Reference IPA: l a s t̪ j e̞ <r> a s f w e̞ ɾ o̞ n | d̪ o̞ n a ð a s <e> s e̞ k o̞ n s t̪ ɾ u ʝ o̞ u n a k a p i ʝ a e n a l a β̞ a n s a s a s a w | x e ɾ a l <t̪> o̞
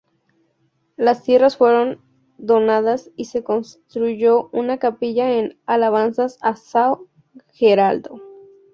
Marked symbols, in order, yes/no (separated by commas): yes, no, no